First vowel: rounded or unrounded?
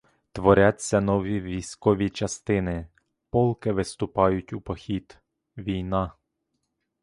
rounded